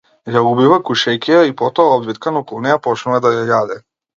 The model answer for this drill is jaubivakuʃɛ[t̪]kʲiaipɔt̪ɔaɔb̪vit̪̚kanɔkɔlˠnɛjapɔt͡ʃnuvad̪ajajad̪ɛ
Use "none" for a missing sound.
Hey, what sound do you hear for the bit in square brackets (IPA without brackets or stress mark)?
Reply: none